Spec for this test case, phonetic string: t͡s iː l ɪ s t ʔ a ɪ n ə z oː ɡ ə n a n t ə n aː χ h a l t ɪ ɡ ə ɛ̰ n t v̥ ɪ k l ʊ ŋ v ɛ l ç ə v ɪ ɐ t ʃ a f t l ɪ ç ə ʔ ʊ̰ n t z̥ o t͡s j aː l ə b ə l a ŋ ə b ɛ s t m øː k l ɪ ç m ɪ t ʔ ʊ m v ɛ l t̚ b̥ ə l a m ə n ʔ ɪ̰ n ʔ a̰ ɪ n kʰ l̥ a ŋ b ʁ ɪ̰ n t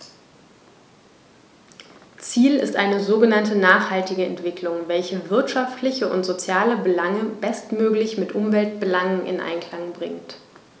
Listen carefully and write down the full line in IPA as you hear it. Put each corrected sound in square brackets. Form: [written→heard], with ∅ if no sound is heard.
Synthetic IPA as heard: t͡s iː l ɪ s t ʔ a ɪ n ə z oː ɡ ə n a n t ə n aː χ h a l t ɪ ɡ ə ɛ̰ n t v̥ ɪ k l ʊ ŋ v ɛ l ç ə v ɪ ɐ t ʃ a f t l ɪ ç ə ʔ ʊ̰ n t z̥ o t͡s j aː l ə b ə l a ŋ ə b ɛ s t m øː k l ɪ ç m ɪ t ʔ ʊ m v ɛ l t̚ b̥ ə l a [m→ŋ] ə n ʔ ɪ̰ n ʔ a̰ ɪ n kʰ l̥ a ŋ b ʁ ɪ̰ [n→ŋ] t